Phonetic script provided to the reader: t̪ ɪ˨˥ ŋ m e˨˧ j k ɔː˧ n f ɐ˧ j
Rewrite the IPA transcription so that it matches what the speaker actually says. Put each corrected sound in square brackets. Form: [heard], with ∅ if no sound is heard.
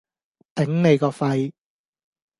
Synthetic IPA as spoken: t̪ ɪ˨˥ ŋ [n] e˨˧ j k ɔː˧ [∅] f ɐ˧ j